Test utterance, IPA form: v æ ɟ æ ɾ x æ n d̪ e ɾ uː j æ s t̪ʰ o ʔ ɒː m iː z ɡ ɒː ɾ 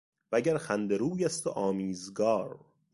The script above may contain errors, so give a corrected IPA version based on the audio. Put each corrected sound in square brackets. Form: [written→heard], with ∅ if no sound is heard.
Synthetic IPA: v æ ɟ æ ɾ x æ n d̪ e ɾ uː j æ s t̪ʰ o ʔ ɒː m iː z ɡ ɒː ɾ